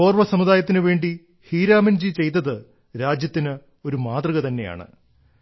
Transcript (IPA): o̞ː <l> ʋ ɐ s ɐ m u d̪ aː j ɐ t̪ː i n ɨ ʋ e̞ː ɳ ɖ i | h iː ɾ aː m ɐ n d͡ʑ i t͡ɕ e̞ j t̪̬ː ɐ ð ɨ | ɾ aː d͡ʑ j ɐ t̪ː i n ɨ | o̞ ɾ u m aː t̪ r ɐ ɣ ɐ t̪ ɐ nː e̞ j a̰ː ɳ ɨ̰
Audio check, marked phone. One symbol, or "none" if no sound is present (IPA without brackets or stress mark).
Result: r